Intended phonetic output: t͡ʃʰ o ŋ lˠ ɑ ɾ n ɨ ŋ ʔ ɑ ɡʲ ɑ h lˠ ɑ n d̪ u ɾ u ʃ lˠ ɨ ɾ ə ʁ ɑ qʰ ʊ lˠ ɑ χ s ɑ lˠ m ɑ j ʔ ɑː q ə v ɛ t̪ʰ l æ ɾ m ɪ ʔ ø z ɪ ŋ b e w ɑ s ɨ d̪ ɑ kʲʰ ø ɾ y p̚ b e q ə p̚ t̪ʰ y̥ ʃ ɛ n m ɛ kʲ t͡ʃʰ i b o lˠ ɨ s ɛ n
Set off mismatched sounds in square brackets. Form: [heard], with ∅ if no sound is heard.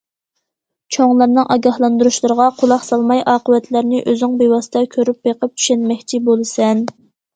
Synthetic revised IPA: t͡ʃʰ o ŋ lˠ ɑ ɾ n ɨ ŋ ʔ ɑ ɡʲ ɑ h lˠ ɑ n d̪ u ɾ u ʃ lˠ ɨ ɾ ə ʁ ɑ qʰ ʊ lˠ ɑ χ s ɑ lˠ m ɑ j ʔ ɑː q ə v ɛ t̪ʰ l æ ɾ [n] ɪ ʔ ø z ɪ ŋ b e w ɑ s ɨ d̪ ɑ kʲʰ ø ɾ y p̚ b e q ə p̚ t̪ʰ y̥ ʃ ɛ n m ɛ kʲ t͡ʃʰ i b o lˠ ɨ s ɛ n